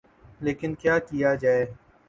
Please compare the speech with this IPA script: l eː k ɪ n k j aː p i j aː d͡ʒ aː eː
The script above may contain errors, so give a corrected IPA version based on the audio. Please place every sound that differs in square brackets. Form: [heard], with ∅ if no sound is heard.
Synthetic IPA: l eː k ɪ n k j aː [k] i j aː d͡ʒ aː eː